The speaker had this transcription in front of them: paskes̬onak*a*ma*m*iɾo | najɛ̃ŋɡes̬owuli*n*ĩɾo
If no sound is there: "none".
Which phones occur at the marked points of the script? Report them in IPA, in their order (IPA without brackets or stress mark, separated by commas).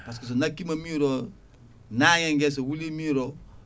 i, m, m